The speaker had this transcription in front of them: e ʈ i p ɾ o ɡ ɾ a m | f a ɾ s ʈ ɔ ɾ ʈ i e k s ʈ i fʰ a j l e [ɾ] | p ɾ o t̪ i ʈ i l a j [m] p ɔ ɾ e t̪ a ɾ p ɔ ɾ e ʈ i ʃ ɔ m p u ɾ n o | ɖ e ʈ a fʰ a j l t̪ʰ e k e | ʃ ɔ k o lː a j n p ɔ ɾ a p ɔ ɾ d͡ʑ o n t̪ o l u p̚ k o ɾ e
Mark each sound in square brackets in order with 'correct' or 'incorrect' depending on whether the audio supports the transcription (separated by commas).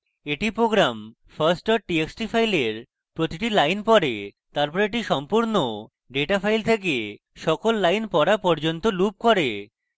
correct, incorrect